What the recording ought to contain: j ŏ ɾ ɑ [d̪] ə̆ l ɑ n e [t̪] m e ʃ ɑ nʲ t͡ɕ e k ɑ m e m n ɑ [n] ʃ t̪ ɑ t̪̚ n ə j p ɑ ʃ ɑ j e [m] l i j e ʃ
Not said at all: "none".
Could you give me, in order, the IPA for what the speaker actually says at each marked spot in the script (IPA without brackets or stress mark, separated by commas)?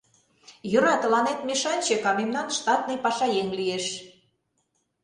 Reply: t̪, t̪, n, ŋ